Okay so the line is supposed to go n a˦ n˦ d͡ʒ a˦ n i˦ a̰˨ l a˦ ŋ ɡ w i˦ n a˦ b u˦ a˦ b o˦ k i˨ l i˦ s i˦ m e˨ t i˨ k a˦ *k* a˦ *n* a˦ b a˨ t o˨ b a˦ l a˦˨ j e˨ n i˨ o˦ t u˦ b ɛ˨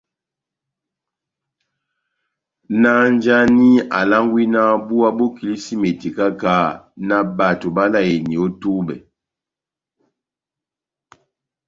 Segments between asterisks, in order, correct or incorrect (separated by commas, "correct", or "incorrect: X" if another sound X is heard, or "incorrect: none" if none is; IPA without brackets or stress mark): correct, correct